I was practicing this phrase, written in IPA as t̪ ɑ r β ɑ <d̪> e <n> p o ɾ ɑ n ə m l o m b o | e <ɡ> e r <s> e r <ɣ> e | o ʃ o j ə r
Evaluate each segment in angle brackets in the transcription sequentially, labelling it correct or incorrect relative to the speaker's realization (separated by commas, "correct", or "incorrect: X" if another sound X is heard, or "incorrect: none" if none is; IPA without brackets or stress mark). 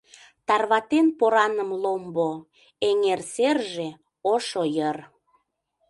incorrect: t̪, correct, incorrect: ŋ, correct, incorrect: ʒ